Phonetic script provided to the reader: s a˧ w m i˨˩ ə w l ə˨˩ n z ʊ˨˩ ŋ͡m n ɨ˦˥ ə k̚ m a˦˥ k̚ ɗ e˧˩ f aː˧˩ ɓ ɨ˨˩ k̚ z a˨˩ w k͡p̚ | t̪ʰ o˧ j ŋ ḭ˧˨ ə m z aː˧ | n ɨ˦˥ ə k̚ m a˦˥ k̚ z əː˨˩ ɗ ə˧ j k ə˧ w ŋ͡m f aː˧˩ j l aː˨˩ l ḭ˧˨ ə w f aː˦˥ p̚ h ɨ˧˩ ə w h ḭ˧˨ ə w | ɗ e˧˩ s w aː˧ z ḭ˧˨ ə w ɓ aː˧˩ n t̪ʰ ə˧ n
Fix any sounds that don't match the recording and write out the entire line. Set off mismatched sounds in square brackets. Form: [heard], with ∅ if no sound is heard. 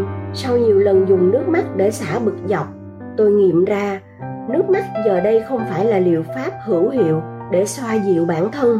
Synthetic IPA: s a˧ w [ɲ] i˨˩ ə w l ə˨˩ n z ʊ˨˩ ŋ͡m n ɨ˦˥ ə k̚ m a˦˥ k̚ ɗ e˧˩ [s] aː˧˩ ɓ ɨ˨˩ k̚ z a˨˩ w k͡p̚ | [t̪] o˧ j ŋ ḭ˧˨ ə m z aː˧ | n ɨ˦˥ ə k̚ m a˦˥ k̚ z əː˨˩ ɗ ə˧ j [x] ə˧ w ŋ͡m f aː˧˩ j l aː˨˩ l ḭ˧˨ ə w f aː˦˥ p̚ h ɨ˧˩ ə w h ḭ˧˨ ə w | ɗ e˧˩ s w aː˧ z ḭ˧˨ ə w ɓ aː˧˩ n t̪ʰ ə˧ n